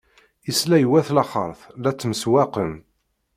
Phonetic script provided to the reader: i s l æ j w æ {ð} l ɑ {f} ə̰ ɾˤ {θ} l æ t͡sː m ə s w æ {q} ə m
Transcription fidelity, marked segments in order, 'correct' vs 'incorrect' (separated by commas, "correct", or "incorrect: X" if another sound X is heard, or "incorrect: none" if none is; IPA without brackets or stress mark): incorrect: θ, incorrect: χ, correct, correct